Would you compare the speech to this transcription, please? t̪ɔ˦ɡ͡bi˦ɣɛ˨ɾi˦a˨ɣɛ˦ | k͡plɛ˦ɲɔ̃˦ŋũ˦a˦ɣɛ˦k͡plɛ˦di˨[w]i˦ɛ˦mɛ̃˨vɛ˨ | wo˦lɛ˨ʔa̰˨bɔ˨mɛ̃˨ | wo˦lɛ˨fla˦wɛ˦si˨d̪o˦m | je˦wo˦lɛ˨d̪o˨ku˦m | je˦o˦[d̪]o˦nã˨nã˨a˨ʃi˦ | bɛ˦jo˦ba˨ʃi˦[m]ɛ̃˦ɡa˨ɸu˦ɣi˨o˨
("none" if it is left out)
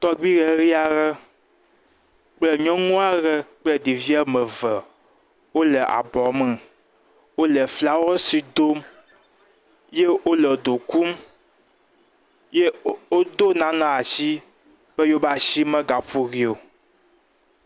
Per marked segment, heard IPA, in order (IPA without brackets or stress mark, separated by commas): v, d̪, m